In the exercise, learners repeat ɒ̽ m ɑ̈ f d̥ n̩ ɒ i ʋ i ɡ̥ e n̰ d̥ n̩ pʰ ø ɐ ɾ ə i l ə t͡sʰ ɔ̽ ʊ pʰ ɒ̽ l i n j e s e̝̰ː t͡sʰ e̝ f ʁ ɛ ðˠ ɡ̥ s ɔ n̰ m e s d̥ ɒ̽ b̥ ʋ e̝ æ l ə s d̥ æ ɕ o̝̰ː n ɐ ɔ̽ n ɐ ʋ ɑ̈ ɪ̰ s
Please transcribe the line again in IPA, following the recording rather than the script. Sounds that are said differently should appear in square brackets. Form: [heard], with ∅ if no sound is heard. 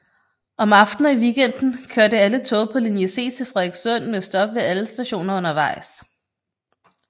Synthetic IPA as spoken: ɒ̽ m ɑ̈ f d̥ n̩ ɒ i ʋ i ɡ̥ e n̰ d̥ n̩ [kʰ] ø ɐ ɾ ə [æ] l ə t͡sʰ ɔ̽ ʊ pʰ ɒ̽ l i n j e s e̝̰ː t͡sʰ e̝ f ʁ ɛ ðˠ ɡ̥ s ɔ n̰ m e s d̥ ɒ̽ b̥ ʋ e̝ æ l ə s d̥ æ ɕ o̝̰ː n ɐ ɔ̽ n ɐ ʋ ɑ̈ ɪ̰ s